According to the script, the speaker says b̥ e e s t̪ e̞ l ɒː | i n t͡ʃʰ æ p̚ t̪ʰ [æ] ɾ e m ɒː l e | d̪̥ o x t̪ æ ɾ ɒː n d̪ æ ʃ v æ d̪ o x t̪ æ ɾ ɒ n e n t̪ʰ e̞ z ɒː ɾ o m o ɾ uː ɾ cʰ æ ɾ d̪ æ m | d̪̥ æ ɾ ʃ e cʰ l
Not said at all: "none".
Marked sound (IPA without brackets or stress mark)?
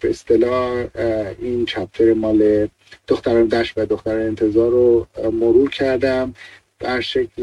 e